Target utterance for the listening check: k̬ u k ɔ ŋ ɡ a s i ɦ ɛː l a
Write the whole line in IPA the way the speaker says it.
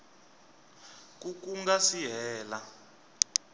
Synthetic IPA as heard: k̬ u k u ŋ ɡ a s i ɦ ɛː l a